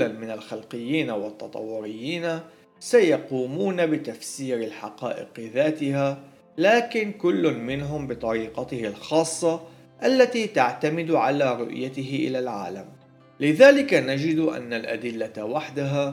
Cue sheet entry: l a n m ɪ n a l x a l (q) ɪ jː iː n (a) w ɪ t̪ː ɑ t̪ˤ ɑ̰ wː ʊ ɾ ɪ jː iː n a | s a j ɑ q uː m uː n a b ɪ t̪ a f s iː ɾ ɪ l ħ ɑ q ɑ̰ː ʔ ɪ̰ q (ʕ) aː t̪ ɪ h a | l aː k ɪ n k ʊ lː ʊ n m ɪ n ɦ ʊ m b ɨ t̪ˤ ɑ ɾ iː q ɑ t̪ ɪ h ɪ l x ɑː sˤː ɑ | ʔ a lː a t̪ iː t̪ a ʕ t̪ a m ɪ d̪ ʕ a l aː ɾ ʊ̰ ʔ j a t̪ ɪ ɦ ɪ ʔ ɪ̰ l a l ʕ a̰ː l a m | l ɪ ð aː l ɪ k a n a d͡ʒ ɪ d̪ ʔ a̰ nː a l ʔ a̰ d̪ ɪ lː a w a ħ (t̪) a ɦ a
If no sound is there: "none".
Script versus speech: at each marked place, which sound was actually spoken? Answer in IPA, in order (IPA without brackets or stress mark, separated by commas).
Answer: q, a, ð, d̪